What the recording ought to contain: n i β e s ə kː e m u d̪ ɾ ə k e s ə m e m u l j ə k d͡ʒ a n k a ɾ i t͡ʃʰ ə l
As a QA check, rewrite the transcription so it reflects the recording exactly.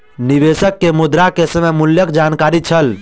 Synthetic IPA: n i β e s ə kː e m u d̪ ɾ a k e s ə m e m u l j ə k d͡ʒ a n k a ɾ i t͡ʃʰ ə l

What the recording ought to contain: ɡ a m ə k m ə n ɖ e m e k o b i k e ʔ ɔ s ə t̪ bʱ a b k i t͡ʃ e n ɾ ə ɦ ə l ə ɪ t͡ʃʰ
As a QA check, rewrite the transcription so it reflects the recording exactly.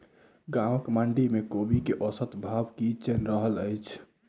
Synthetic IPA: ɡ a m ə k m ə ɳ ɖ i m e k o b i k e ʔ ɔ s ə t̪ bʱ a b k i t͡ʃ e n ɾ ə ɦ ə l ə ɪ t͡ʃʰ

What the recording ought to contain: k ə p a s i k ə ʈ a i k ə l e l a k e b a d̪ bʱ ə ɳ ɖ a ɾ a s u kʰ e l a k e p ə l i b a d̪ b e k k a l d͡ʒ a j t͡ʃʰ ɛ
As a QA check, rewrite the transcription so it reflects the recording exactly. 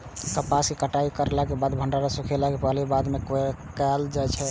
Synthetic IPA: k ə p a s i k ə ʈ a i k ə ɾ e l a k e b a d̪ bʱ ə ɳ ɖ a ɾ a s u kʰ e l a k e p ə l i b a d̪ m e k k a l d͡ʒ a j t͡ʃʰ ɛ

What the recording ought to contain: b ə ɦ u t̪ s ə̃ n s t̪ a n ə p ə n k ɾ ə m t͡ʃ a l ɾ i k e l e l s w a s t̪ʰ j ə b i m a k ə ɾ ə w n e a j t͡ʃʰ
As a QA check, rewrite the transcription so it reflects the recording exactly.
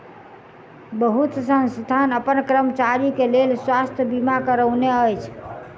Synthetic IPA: b ə ɦ u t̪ s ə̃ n s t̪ a n ə p ə n k ɾ ə m t͡ʃ a ɾ i k e l e l s w a s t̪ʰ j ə b i m a k ə ɾ ə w n e ə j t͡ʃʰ

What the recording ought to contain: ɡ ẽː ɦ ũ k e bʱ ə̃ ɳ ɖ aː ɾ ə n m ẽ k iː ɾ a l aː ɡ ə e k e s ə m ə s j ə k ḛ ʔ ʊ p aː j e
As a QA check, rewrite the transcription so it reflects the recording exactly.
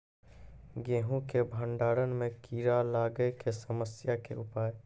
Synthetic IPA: ɡ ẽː ɦ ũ k e bʱ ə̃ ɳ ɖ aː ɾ ə n m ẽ k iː ɾ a l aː ɡ ə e k e s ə m ə s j a k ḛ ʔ ʊ p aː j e

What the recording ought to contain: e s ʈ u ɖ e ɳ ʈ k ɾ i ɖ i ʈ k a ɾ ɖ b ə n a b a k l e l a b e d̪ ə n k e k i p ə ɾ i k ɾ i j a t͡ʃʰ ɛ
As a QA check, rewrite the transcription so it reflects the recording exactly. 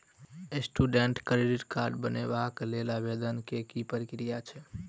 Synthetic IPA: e s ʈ u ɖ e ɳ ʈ k ɾ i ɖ i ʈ k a ɾ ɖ b ə n e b a k l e l a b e d̪ ə n k e k i p ə ɾ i k ɾ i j a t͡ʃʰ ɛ

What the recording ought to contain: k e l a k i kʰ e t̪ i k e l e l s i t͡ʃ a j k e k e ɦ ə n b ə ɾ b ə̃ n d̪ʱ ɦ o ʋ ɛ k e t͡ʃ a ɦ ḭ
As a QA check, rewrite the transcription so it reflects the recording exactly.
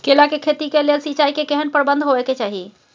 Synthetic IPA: k e l a k e kʰ e t̪ i k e l e l s i t͡ʃ a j k e k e ɦ ə n p ə ɾ b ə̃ n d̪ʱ ɦ o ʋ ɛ k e t͡ʃ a ɦ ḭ

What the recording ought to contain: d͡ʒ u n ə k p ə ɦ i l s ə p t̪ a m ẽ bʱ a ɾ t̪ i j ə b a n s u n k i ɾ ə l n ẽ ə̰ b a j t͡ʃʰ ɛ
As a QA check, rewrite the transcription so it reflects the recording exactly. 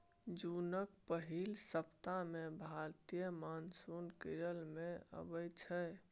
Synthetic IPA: d͡ʒ u n ə k p ə ɦ i l s ə p t̪ a m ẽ bʱ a ɾ t̪ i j ə m a n s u n k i ɾ ə l m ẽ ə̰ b ə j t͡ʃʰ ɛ

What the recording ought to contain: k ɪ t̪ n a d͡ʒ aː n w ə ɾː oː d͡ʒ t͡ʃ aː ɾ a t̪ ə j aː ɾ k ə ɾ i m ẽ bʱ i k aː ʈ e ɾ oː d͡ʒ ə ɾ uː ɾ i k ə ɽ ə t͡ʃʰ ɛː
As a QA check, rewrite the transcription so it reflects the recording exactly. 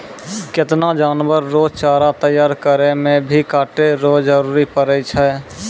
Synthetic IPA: k ɪ t̪ n a d͡ʒ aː n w ə ɾː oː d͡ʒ t͡ʃ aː ɾ a t̪ ə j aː ɾ k ə ɾ e m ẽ bʱ i k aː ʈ e ɾ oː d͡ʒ ə ɾ uː ɾ i p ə ɾ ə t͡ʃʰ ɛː

